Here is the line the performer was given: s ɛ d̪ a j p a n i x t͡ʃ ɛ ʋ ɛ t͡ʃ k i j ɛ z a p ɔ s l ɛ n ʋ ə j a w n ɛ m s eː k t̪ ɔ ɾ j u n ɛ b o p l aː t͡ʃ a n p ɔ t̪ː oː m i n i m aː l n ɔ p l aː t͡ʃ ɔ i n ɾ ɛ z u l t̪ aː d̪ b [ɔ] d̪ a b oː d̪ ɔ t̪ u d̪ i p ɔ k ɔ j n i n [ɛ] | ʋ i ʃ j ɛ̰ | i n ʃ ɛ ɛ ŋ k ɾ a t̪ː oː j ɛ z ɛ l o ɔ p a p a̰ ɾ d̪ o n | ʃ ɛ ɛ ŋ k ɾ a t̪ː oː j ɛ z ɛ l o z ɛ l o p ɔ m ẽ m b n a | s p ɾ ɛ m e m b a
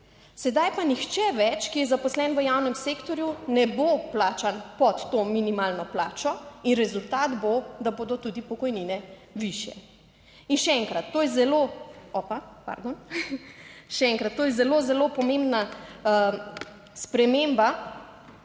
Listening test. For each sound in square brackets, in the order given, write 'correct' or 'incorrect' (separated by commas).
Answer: incorrect, correct